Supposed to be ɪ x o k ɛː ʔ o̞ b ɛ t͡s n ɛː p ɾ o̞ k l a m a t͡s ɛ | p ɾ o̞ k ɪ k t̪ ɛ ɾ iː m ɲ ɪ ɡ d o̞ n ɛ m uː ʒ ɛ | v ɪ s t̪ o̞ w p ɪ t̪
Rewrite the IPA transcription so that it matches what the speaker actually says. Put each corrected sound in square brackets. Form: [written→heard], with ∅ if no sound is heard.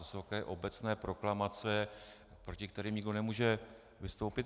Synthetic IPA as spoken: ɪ [x→s] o k ɛː ʔ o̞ b ɛ t͡s n ɛː p ɾ o̞ k l a m a t͡s ɛ | p ɾ o̞ [k→c] ɪ k t̪ ɛ ɾ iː m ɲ ɪ ɡ d o̞ n ɛ m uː ʒ ɛ | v ɪ s t̪ o̞ w p ɪ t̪